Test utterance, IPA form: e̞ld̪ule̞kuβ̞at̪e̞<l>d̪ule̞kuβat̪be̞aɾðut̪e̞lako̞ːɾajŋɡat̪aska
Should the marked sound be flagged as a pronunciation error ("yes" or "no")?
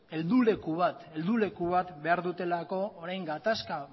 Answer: no